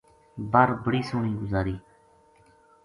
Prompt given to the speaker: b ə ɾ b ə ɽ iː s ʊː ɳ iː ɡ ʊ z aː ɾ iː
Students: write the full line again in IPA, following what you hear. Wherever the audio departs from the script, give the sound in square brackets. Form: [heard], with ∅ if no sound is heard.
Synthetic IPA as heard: b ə ɾ b ə ɽ iː s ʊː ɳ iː ɡ ʊ z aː ɾ iː